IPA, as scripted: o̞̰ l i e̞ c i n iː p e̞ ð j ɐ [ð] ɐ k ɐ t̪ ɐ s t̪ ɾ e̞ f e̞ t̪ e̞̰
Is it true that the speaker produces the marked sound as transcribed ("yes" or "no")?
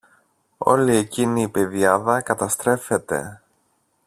yes